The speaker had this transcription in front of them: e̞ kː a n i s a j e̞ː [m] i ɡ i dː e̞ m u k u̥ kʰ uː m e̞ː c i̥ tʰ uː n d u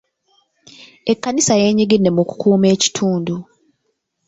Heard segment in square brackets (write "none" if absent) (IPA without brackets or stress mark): ɲ